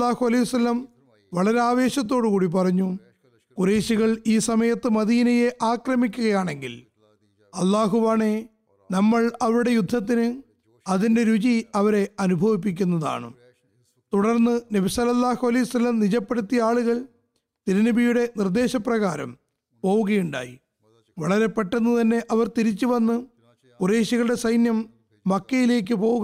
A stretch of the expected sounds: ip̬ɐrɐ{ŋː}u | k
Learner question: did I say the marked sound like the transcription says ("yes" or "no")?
no